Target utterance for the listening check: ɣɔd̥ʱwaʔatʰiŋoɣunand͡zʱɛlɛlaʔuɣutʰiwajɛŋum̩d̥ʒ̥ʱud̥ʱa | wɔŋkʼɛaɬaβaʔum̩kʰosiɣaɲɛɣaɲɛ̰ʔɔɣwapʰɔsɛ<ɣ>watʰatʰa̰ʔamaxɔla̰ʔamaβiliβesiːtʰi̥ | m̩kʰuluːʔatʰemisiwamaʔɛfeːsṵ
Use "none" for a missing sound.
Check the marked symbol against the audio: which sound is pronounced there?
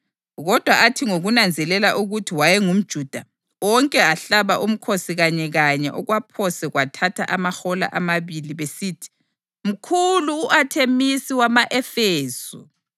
ɣ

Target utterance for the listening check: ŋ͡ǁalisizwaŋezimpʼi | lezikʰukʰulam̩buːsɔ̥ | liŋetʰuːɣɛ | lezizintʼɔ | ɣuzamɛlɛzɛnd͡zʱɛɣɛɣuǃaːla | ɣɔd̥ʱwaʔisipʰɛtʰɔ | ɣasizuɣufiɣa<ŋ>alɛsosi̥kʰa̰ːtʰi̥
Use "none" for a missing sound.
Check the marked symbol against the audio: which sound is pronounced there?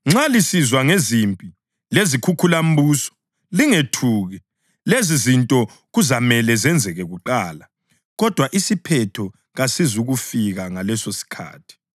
ŋ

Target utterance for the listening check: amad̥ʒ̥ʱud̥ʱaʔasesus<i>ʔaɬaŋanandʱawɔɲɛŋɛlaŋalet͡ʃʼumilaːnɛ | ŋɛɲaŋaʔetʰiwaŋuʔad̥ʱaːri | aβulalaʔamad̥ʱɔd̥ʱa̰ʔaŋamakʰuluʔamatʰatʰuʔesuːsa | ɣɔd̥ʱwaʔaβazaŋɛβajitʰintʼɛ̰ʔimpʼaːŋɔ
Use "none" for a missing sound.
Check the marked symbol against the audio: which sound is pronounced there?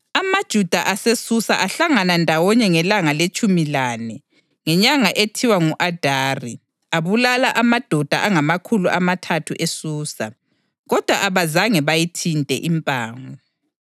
a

